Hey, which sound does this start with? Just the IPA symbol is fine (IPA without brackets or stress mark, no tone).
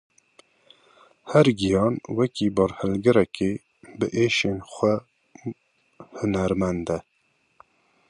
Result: h